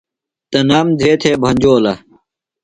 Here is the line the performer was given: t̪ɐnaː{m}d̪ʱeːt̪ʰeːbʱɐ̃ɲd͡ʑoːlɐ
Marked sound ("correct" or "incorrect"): correct